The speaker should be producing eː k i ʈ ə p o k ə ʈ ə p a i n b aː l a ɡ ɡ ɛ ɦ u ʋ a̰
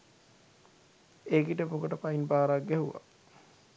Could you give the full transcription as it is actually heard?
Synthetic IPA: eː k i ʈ ə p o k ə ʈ ə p a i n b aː ɾ a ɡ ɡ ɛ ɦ u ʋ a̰